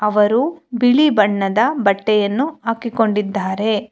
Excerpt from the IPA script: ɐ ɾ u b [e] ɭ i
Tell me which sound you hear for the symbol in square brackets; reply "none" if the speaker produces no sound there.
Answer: i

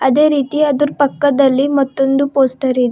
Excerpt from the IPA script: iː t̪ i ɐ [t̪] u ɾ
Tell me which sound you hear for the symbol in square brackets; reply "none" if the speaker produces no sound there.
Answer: d̪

